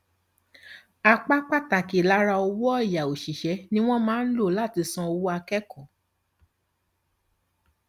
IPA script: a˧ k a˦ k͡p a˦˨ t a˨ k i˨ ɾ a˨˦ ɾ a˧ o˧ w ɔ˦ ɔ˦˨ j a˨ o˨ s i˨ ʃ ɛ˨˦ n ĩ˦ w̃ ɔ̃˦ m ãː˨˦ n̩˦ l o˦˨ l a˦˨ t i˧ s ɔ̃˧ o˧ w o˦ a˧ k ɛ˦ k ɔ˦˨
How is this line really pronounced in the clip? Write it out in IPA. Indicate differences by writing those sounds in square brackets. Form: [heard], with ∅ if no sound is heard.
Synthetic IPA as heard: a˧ [k͡p] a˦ k͡p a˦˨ t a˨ k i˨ [l] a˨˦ ɾ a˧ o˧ w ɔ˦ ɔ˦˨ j a˨ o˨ [ʃ] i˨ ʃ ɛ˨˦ n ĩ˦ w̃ ɔ̃˦ m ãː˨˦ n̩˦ l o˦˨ l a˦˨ t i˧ s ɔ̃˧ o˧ w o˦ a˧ k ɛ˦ k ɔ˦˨